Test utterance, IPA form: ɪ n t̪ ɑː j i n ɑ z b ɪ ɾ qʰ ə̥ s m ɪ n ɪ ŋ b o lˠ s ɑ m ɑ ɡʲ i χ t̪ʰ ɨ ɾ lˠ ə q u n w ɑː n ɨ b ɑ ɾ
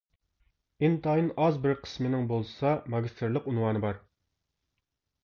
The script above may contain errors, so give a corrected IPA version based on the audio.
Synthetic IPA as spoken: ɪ n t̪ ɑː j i n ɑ z b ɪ ɾ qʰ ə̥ s m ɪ n ɪ ŋ b o lˠ s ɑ m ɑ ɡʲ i s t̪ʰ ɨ ɾ lˠ ə q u n w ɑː n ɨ b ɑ ɾ